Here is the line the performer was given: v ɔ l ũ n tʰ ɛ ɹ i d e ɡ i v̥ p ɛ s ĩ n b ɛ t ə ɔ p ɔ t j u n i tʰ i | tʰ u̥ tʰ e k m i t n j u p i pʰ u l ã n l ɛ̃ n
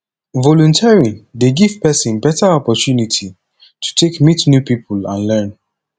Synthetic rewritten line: v ɔ l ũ n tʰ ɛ ɹ i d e ɡ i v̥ p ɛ s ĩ n b ɛ t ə ɔ p ɔ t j u n i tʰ i | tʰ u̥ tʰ e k m i t n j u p i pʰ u l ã n l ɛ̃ n